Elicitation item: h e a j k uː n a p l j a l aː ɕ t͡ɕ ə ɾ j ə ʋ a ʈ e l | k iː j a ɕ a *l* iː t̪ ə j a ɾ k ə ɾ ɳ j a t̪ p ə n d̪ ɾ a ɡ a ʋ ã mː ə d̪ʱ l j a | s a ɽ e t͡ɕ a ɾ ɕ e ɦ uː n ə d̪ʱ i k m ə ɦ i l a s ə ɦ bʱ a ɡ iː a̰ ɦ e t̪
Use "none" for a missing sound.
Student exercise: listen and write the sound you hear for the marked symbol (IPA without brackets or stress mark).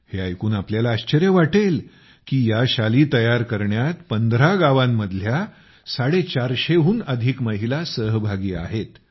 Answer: l